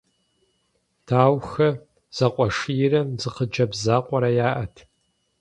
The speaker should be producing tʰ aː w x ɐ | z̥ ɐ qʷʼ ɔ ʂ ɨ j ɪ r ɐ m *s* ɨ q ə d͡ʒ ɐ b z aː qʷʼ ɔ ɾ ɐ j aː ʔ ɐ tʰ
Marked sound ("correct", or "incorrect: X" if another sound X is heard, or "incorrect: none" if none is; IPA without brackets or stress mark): incorrect: z